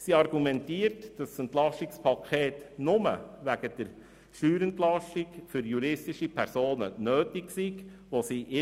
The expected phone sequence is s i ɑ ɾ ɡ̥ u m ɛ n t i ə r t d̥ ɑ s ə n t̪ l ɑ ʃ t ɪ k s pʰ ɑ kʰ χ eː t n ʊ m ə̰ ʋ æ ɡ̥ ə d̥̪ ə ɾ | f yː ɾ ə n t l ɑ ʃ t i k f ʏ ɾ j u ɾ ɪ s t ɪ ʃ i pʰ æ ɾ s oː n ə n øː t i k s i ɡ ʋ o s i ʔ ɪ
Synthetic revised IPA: s i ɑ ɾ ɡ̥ u m ɛ n t i ə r t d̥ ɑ s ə n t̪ l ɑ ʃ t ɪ k s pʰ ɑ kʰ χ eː t n ʊ m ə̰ ʋ æ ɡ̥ ə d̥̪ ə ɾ | ʃ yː ɾ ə n t l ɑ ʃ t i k f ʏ ɾ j u ɾ ɪ s t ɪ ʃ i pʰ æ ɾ s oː n ə n øː t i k s i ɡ ʋ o s i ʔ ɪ